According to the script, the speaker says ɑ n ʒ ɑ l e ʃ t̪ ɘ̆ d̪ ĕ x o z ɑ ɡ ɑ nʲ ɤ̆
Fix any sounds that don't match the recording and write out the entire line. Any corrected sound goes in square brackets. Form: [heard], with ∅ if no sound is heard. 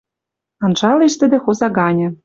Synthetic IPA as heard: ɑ n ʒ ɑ l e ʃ t̪ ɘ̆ d̪ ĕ x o z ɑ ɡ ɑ nʲ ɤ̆